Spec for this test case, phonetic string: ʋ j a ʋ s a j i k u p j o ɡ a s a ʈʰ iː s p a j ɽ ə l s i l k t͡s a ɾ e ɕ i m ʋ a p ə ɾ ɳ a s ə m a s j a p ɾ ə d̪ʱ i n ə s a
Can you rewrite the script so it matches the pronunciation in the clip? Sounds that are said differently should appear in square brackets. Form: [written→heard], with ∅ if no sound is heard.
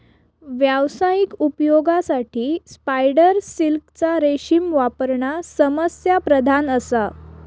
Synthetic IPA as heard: ʋ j a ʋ s a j i k u p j o ɡ a s a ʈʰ iː s p a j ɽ ə [l→ɾ] s i l k t͡s a ɾ e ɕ i m ʋ a p ə ɾ ɳ a s ə m [a→ə] s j a p ɾ ə d̪ʱ [i→a] n ə s a